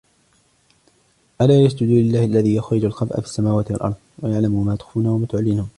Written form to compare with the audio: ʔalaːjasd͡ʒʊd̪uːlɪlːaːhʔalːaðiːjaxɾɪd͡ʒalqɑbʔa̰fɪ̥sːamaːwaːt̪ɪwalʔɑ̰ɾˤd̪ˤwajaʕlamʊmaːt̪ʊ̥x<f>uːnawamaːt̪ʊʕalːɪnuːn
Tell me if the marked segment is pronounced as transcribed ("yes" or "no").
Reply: yes